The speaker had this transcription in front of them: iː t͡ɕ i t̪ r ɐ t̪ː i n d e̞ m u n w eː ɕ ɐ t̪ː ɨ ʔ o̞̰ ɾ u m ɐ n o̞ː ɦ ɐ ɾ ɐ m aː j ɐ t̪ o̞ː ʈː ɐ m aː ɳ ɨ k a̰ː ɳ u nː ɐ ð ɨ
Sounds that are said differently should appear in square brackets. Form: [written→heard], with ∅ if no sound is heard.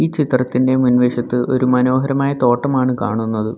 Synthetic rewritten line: iː t͡ɕ i t̪ r ɐ t̪ː i n d e̞ m u n [w→ʋ] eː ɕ ɐ t̪ː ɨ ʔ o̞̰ ɾ u m ɐ n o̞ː ɦ ɐ ɾ ɐ m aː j ɐ t̪ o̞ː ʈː ɐ m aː ɳ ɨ k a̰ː ɳ u nː ɐ ð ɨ